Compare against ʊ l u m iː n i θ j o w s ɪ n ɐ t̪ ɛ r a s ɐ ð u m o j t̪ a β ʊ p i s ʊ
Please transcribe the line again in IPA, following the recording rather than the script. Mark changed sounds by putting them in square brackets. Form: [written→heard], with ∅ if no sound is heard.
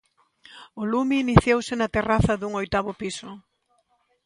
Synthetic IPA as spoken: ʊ l u m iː n i θ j o w s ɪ n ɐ t̪ [ɛ→e] r a [s→θ] ɐ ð u [m→ŋ] o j t̪ a β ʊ p i s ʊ

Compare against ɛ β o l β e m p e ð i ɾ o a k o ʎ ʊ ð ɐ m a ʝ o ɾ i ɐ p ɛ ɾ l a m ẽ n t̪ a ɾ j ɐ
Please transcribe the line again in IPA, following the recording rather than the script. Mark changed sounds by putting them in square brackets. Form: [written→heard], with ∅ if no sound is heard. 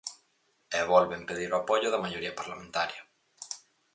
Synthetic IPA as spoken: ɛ β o l β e m p e ð i ɾ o a [k→p] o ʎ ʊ ð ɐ m a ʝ o ɾ i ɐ p [ɛ→a] ɾ l a m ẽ n t̪ a ɾ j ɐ

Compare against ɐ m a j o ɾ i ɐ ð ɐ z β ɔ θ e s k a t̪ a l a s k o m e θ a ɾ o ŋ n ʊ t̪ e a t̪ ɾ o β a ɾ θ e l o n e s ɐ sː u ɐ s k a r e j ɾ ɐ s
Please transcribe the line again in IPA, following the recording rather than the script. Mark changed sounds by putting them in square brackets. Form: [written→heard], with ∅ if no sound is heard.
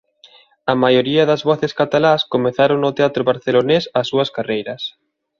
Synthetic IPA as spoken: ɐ m a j o ɾ i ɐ ð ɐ z β ɔ θ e s k a t̪ a l a s k o m e θ a ɾ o ŋ n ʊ t̪ e a t̪ ɾ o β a ɾ θ e l o n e s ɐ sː u ɐ s k a r e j ɾ ɐ s

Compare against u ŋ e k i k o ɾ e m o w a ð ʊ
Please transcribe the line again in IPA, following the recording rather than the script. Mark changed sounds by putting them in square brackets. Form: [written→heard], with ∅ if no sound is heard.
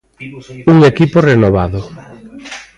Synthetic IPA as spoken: u ŋ e k i [k→p] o [ɾ→r] e [m→n] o [w→β] a ð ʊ

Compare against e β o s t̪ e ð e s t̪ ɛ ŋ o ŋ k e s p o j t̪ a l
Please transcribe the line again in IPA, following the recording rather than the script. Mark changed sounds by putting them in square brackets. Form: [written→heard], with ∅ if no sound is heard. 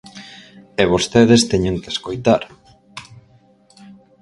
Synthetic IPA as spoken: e β o s t̪ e ð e s t̪ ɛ [ŋ→ɲ] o ŋ k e s [p→k] o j t̪ a [l→ɾ]

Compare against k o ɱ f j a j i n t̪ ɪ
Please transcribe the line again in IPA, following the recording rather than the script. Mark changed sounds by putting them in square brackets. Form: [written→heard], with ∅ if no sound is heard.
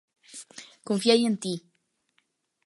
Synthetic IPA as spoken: k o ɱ f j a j [i→e] n t̪ [ɪ→i]

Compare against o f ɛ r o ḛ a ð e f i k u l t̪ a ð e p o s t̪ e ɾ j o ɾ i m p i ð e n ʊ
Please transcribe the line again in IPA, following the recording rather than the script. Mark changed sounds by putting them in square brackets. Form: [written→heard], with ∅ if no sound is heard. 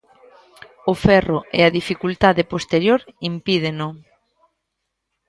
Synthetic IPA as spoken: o f ɛ r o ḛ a ð [e→i] f i k u l t̪ a ð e p o s t̪ e ɾ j o ɾ i m p i ð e n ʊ

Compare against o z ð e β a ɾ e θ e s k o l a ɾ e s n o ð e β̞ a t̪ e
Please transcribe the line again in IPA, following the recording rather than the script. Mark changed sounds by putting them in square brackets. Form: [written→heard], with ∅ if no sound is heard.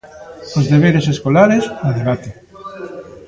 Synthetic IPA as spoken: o z ð e β [a→e] ɾ e [θ→s] e s k o l a ɾ e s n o ð e β̞ a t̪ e

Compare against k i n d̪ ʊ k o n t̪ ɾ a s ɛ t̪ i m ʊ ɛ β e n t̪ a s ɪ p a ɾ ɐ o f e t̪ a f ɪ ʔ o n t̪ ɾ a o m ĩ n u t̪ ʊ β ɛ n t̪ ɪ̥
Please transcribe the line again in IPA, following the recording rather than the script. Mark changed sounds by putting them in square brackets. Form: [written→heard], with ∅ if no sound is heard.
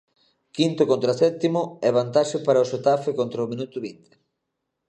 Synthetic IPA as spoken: k i n [d̪→t̪] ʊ k o n t̪ ɾ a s ɛ t̪ i m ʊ ɛ β [e→a] n t̪ a [s→ʃ] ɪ p a ɾ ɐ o [f→ʃ] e t̪ a f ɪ [ʔ→k] o n t̪ ɾ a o m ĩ n u t̪ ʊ β [ɛ→i] n t̪ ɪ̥

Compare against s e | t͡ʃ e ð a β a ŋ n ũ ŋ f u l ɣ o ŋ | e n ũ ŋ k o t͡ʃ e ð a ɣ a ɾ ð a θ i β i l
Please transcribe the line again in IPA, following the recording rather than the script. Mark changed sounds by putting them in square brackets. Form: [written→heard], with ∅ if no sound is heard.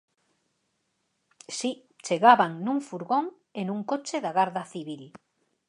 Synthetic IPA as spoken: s [e→i] | t͡ʃ e [ð→ɣ] a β a ŋ n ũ ŋ f u [l→ɾ] ɣ o ŋ | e n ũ ŋ k o t͡ʃ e ð a ɣ a ɾ ð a θ i β i l

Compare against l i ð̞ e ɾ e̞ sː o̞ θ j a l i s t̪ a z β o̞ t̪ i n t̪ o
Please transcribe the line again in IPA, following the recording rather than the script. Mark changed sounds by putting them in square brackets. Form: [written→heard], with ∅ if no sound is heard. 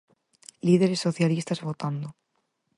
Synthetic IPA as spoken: l i ð̞ e ɾ e̞ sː o̞ θ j a l i s t̪ a z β o̞ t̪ [i→a] n [t̪→d̪] o

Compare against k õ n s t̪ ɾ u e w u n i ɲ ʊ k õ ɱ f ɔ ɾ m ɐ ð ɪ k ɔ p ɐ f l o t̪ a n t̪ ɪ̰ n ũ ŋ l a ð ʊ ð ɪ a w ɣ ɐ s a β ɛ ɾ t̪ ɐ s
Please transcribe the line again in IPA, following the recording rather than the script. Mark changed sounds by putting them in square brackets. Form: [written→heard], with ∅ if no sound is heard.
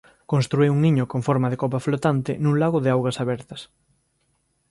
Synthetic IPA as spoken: k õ n s t̪ ɾ u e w u [n→ŋ] i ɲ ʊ k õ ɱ f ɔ ɾ m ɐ ð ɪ k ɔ p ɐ f l o t̪ a n t̪ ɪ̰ n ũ ŋ l a [ð→ɣ] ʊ ð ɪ a w ɣ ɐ s a β ɛ ɾ t̪ ɐ s

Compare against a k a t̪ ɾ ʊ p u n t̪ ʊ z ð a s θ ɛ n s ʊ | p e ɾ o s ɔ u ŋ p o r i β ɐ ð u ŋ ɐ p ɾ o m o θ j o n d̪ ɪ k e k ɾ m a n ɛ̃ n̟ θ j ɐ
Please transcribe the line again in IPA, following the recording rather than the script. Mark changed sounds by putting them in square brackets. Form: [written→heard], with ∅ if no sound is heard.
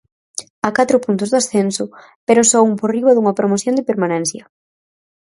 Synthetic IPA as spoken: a k a t̪ ɾ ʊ p u n t̪ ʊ z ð a s θ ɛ n s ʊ | p e ɾ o s ɔ u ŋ p o r i β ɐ ð u ŋ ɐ p ɾ o m o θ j o n d̪ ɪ [k→p] e [k→∅] ɾ m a n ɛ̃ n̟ θ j ɐ

